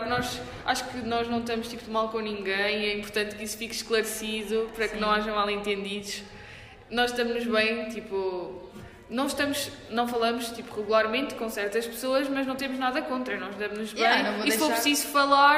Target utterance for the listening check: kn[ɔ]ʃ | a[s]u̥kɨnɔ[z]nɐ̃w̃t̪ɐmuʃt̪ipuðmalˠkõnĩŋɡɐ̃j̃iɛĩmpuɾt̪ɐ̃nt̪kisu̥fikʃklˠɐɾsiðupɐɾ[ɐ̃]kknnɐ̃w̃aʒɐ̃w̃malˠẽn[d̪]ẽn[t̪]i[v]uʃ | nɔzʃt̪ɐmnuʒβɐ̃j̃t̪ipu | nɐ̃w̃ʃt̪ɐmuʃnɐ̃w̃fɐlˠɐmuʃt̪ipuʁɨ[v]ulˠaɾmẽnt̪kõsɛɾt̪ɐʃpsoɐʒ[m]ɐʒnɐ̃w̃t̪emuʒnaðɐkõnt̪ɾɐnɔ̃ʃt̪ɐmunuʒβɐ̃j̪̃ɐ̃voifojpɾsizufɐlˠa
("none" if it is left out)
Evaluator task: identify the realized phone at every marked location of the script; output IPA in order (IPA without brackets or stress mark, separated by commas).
ɔ, ʃ, ʒ, ɐ, t̪, d̪, ð, ɣ, m